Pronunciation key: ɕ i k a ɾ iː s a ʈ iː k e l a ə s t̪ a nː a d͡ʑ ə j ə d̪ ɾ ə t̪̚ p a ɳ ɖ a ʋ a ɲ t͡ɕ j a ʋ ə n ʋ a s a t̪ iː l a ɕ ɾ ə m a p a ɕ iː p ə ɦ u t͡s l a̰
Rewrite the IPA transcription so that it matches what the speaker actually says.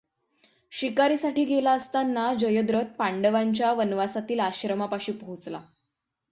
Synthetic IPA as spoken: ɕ i k a ɾ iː s a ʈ iː ɡ e l a ə s t̪ a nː a d͡ʑ ə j ə d̪ ɾ ə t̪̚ p a ɳ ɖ ə ʋ a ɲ t͡ɕ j a ʋ ə n ʋ a s a t̪ iː l a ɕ ɾ ə m a p a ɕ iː p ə ɦ u t͡s l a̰